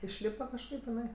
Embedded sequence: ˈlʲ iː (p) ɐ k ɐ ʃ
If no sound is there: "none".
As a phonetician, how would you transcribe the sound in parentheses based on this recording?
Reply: p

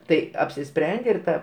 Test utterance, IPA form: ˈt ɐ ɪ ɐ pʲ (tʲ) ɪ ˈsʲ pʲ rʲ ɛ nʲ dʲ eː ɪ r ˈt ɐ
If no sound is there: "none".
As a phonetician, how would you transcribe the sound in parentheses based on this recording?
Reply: sʲ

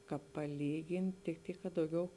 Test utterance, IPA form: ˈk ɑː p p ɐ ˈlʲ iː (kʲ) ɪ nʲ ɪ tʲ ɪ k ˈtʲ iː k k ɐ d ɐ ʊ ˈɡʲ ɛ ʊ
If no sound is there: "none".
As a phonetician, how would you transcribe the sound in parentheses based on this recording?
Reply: ɡʲ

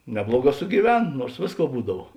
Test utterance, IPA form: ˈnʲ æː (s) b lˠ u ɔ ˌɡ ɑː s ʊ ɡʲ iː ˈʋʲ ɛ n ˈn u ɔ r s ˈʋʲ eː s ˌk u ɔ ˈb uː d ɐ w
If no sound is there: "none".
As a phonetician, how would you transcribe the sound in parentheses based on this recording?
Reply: none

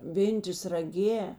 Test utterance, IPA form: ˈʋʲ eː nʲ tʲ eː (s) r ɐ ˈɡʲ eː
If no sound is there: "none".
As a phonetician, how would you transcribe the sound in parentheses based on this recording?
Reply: s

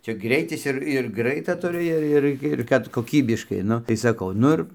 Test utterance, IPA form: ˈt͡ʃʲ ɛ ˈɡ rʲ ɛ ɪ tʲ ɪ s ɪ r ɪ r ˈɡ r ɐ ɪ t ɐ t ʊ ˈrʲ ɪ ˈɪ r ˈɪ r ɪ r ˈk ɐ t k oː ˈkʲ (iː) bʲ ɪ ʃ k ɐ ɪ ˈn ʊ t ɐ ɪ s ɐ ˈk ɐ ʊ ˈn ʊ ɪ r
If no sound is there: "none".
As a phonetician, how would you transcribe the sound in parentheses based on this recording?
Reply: iː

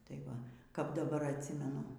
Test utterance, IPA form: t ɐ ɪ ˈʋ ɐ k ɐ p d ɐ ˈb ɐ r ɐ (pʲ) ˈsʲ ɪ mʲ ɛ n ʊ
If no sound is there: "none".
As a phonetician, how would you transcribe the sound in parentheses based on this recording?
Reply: tʲ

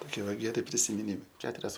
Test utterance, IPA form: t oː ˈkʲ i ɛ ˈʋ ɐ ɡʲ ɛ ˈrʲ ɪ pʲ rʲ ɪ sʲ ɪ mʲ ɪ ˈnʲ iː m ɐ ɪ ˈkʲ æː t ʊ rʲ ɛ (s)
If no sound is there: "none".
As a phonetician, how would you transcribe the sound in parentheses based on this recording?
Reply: s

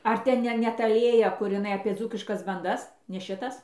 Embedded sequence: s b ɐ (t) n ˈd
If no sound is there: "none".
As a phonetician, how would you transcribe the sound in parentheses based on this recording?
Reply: none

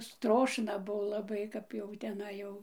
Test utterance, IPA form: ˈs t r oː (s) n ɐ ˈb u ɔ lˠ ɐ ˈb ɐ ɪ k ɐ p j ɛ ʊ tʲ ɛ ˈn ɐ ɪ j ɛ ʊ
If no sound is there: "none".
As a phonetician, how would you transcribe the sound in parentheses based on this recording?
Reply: ʃ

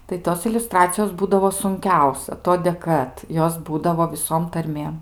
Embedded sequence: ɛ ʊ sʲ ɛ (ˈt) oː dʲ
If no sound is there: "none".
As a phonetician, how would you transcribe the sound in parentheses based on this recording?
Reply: t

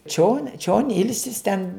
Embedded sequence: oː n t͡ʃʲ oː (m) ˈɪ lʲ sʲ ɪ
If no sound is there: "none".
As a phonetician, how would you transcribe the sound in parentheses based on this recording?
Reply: n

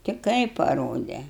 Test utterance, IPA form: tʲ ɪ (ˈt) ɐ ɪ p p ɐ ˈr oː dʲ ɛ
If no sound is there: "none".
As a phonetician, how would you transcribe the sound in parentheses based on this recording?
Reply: k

